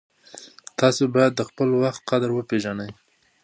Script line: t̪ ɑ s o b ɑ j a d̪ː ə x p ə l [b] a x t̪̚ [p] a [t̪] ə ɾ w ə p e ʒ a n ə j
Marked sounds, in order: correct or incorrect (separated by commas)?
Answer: incorrect, incorrect, incorrect